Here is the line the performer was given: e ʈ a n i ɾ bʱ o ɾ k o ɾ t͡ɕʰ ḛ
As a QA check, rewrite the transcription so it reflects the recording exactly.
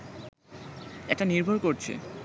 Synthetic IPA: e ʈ a n i ɾ bʱ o ɾ k o ɾ t͡ɕʰ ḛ